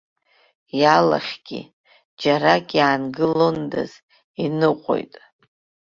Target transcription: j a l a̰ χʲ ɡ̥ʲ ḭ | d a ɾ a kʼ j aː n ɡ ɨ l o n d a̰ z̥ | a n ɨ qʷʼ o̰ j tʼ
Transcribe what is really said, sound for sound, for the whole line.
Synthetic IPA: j a l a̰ χʲ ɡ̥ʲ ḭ | d͡ʒ a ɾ a kʼ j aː n ɡ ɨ l o n d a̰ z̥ | i n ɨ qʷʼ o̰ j tʼ